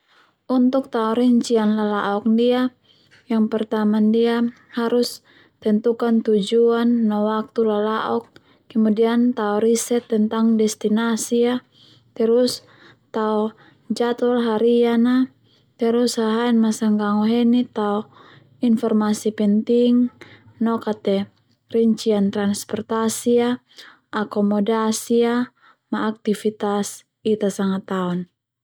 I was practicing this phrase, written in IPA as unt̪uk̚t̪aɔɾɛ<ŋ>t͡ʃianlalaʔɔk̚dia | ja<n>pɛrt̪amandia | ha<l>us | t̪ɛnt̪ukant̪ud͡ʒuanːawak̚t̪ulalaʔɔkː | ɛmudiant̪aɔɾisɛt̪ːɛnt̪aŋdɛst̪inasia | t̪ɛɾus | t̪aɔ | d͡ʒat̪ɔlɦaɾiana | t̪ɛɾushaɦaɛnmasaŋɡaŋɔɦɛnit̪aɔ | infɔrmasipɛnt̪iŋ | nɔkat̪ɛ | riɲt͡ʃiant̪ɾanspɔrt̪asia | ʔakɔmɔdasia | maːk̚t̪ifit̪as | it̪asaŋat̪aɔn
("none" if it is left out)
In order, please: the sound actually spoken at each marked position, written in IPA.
ɲ, ŋ, ɾ

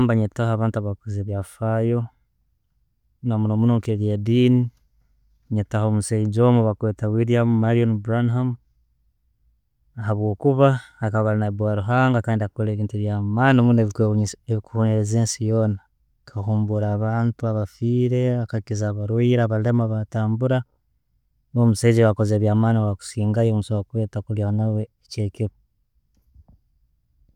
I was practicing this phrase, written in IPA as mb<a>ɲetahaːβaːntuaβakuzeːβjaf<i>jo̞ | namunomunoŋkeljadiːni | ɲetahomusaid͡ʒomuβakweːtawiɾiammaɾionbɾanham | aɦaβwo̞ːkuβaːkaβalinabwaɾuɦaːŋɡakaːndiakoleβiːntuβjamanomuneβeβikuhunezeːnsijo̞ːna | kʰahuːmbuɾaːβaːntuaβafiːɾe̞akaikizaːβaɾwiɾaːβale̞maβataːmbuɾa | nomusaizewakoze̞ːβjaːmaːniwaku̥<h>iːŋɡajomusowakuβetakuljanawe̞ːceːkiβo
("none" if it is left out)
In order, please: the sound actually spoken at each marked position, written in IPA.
a, a, s

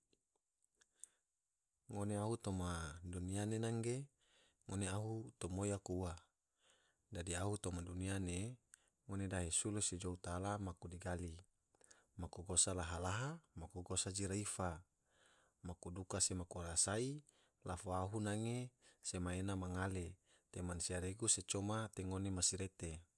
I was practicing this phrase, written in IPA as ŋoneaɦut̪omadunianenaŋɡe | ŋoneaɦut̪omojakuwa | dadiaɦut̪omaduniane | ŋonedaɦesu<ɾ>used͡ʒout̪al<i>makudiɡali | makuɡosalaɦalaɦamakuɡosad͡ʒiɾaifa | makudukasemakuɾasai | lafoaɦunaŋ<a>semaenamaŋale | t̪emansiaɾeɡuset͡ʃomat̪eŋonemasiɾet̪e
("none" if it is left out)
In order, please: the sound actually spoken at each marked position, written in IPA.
l, a, e

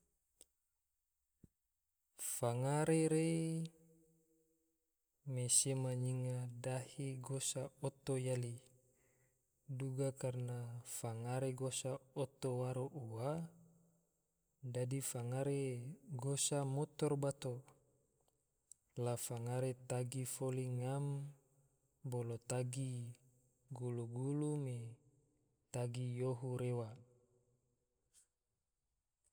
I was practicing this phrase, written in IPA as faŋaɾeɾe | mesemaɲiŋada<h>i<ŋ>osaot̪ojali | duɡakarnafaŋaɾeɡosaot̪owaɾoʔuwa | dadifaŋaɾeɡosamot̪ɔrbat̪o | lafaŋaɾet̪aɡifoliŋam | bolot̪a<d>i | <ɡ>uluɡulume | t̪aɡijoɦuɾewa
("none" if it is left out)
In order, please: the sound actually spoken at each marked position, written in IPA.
h, ɡ, ɡ, ɡ

